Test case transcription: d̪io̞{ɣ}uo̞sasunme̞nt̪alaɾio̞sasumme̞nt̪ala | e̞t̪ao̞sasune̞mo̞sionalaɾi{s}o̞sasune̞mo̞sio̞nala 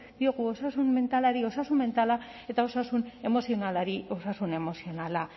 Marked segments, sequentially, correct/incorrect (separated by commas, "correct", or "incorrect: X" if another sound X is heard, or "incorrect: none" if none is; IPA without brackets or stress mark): correct, incorrect: none